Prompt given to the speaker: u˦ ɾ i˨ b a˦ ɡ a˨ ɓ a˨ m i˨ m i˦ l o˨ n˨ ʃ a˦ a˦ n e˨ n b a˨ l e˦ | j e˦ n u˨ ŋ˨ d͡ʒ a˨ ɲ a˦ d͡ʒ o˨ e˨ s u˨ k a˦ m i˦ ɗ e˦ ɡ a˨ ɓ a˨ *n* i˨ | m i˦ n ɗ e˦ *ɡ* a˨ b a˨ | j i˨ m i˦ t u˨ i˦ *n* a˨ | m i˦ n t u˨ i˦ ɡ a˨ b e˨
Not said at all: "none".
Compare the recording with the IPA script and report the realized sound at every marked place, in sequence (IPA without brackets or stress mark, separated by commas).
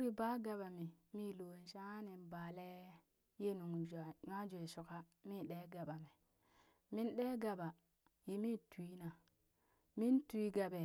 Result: m, ɡ, n